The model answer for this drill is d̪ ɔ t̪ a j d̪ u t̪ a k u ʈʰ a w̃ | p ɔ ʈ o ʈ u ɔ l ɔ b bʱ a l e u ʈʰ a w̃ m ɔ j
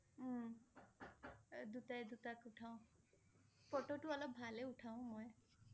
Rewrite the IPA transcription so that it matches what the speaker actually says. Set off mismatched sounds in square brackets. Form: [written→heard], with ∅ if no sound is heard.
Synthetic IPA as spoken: d̪ [ɔ→u] t̪ a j d̪ u t̪ a k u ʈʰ a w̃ | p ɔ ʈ o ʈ u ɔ l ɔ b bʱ a l e u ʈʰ a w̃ m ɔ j